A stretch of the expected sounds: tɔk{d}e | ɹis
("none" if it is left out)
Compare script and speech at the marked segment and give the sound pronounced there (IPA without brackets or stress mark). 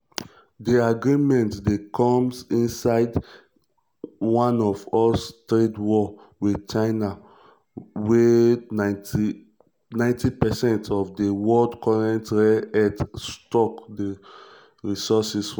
d